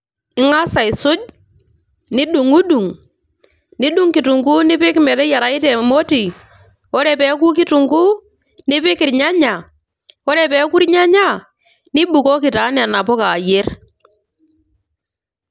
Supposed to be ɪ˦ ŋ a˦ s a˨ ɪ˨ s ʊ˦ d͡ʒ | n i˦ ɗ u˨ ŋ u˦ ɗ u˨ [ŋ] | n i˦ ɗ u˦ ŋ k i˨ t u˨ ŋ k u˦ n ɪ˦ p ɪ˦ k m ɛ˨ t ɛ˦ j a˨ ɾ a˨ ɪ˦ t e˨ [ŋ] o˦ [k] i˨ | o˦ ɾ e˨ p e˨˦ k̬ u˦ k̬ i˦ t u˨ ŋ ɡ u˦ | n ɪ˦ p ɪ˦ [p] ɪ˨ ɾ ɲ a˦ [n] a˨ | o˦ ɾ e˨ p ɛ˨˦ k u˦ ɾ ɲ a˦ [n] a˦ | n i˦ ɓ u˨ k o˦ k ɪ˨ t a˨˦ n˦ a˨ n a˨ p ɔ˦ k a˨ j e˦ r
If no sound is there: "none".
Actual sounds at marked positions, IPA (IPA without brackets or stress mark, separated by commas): ŋ, m, t, k, ɲ, ɲ